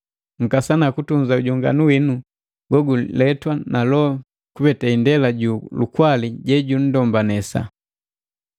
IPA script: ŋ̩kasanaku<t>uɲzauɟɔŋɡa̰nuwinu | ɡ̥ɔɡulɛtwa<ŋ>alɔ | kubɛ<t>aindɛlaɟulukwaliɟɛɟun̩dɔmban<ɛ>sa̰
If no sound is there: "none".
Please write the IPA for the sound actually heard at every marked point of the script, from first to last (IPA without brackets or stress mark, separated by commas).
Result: t, n, t, ɛ